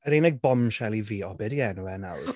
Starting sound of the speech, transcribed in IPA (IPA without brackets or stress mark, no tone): ə